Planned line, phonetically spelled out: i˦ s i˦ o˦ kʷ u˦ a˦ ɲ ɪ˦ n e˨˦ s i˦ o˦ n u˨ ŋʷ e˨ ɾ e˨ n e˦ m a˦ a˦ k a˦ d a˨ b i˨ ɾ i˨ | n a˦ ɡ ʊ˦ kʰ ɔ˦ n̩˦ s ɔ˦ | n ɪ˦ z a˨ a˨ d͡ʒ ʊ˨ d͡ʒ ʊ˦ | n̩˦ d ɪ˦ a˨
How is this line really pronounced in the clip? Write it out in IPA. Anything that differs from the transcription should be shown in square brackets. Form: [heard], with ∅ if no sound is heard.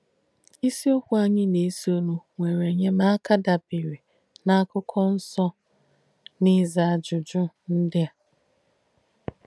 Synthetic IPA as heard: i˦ s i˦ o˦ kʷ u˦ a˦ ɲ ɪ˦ n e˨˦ s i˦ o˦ n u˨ ŋʷ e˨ ɾ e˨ [ɲ] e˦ m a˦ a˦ k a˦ d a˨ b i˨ ɾ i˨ | n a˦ [k] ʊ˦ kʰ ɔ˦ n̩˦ s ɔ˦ | n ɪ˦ z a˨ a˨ d͡ʒ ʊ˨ d͡ʒ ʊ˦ | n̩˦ d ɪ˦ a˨